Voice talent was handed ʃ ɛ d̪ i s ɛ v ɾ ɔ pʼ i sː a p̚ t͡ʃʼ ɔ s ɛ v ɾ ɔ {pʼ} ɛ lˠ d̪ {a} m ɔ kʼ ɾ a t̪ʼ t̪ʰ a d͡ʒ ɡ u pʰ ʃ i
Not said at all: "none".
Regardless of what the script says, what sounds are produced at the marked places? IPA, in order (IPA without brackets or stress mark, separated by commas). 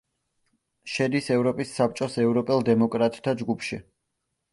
pʼ, ɛ